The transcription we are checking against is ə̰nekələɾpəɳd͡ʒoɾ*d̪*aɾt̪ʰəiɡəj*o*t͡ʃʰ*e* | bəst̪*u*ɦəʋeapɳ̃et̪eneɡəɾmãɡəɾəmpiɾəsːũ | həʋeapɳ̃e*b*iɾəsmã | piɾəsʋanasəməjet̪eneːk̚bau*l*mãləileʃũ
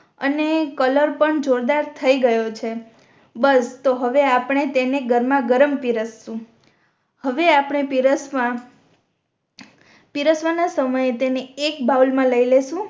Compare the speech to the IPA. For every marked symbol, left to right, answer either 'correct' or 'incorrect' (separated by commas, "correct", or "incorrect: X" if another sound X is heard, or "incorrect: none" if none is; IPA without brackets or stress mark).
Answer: correct, correct, correct, incorrect: o, incorrect: p, correct